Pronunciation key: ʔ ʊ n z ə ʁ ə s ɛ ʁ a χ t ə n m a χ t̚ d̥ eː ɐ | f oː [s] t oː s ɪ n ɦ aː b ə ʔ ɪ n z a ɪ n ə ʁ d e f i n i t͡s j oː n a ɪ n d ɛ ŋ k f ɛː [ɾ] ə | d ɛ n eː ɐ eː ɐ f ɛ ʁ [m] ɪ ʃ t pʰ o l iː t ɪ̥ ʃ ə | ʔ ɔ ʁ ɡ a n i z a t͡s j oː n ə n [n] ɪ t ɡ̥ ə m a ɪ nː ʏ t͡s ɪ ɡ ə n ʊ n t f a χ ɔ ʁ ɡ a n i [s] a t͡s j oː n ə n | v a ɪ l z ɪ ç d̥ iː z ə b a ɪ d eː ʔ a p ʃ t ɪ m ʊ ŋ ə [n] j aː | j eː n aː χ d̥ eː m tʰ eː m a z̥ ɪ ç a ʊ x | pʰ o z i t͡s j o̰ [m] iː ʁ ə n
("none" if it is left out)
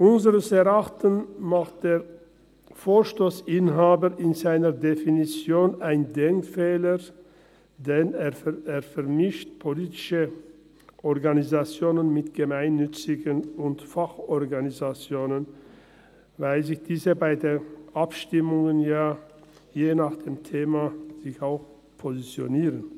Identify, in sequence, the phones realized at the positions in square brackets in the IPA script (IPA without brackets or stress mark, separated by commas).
ʃ, l, m, m, z, n, n